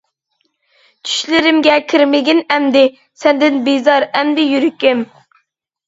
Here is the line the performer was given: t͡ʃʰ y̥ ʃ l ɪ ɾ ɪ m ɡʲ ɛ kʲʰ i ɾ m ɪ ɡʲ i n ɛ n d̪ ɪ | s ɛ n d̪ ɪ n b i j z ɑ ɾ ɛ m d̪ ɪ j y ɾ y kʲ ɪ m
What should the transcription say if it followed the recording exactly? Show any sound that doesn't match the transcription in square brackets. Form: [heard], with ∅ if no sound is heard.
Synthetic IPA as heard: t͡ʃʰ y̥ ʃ l ɪ ɾ ɪ m ɡʲ ɛ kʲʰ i ɾ m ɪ ɡʲ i n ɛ [m] d̪ ɪ | s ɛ n d̪ ɪ n b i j z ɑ ɾ ɛ m d̪ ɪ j y ɾ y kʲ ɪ m